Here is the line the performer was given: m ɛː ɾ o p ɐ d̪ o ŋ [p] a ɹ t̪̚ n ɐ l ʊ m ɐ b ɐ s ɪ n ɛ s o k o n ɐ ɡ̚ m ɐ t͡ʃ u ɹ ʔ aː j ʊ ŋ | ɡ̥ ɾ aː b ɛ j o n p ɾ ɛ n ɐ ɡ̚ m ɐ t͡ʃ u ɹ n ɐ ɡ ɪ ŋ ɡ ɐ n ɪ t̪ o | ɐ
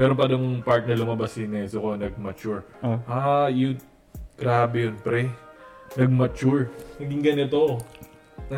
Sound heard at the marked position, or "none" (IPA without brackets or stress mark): p